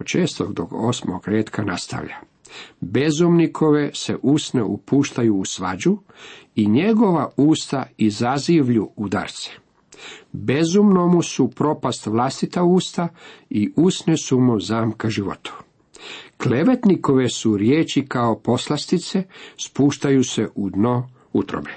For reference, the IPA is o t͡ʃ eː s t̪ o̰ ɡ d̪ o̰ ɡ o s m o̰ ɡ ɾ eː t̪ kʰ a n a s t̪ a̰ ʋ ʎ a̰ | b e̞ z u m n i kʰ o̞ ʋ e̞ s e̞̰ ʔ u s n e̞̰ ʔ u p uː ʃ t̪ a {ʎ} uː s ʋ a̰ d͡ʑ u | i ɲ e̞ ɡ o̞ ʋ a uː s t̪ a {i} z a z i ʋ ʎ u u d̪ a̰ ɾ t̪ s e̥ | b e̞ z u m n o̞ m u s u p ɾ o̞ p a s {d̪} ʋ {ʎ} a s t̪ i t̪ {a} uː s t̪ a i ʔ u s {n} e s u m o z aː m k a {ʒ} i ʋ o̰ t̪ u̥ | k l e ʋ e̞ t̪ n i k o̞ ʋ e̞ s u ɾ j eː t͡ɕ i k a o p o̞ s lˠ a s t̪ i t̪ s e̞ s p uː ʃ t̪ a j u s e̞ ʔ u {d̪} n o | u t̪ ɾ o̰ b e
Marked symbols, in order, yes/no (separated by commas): no, yes, no, no, yes, yes, yes, yes